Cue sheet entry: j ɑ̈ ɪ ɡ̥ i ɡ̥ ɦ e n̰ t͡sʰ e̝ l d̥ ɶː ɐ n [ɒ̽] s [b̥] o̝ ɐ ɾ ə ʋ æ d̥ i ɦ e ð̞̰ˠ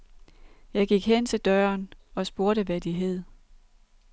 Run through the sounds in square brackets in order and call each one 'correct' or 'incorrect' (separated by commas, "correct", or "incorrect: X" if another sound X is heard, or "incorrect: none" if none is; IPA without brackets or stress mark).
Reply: correct, correct